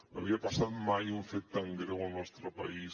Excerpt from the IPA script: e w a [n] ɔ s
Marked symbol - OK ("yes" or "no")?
yes